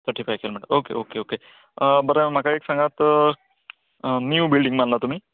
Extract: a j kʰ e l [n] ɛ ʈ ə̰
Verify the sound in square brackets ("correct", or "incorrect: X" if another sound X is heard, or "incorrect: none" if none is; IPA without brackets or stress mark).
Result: incorrect: m